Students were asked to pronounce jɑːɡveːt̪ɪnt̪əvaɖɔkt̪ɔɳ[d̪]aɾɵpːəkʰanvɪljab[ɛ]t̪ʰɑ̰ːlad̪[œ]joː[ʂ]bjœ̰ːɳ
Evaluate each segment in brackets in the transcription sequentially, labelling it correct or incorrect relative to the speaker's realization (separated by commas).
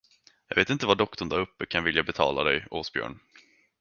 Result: correct, correct, incorrect, incorrect